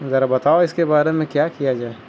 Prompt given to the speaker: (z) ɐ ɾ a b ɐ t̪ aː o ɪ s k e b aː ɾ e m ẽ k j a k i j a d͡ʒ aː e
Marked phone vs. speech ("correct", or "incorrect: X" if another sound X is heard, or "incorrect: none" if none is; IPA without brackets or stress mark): correct